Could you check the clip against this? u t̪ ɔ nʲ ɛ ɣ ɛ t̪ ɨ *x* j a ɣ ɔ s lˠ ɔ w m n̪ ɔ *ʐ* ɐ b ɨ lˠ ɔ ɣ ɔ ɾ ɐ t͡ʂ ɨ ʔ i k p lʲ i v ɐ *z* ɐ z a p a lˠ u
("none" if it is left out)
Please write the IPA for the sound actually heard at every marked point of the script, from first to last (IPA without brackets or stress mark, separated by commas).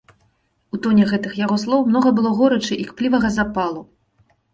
x, ɣ, ɣ